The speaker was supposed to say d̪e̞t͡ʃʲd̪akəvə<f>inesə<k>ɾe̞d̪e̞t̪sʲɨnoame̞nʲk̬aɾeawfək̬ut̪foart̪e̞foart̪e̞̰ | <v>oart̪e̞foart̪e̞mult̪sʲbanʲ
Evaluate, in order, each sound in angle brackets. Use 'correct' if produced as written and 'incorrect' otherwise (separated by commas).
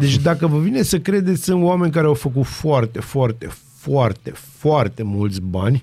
incorrect, correct, incorrect